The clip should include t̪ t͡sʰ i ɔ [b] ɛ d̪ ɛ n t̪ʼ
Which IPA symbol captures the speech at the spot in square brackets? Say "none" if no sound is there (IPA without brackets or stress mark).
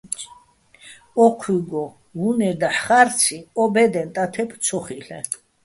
b